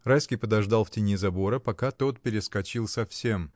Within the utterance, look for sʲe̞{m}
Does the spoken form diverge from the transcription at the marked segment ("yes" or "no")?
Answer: no